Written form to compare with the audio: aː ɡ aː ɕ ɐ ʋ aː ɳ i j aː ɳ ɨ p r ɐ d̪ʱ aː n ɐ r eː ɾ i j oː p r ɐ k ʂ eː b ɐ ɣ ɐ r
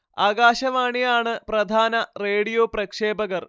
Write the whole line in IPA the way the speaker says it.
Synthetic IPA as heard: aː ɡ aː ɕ ɐ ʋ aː ɳ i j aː ɳ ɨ p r ɐ d̪ʱ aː n ɐ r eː ɽ i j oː p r ɐ k ʂ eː b ɐ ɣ ɐ r